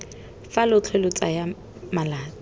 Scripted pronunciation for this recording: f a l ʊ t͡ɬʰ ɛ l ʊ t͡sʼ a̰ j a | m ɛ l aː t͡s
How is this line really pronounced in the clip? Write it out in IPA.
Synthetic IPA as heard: f a l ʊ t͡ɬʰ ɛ l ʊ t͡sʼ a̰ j a | m a l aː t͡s